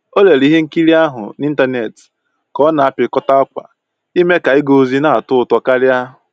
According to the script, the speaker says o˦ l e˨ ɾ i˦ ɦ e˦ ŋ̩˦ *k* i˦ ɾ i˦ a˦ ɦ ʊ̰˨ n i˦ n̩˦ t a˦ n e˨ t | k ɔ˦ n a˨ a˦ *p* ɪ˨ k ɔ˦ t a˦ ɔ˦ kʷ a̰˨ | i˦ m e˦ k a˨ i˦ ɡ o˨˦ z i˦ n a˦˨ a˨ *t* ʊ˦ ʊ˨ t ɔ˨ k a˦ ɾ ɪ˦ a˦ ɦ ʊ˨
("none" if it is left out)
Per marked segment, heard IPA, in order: k, p, t

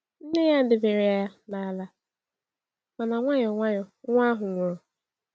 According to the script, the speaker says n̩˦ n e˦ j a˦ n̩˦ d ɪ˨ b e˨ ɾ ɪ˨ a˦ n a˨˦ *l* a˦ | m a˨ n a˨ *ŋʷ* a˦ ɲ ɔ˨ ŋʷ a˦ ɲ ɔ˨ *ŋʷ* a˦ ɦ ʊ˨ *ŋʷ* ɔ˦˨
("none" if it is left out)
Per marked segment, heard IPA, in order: l, ŋʷ, ŋʷ, ŋʷ

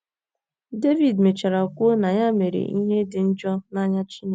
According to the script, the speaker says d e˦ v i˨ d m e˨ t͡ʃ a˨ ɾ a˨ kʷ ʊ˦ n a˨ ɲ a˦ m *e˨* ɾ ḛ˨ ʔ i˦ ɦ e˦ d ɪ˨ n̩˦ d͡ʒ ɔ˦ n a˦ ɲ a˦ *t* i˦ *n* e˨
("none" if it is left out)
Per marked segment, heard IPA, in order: e˨, t͡ʃ, n

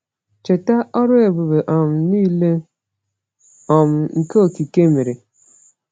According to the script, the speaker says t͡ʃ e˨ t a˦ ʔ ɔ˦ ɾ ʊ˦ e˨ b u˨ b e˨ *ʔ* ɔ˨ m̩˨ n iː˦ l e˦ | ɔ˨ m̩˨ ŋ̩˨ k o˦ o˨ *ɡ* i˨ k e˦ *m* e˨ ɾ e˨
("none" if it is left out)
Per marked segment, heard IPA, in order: ʔ, k, m

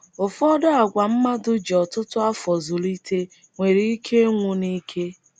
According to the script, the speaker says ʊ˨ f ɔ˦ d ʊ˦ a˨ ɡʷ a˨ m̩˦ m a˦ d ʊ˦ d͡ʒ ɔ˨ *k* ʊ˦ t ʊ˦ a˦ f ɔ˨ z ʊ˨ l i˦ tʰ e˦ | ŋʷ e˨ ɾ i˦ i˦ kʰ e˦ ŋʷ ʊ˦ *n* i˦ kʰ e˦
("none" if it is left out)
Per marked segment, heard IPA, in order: t, n

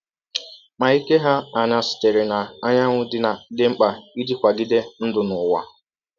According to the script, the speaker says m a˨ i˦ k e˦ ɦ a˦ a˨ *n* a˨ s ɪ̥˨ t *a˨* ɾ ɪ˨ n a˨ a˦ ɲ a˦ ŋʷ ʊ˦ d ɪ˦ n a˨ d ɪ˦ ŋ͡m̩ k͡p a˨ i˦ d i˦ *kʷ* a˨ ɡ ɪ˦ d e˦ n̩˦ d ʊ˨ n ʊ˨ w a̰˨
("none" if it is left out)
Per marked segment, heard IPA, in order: n, e˨, kʷ

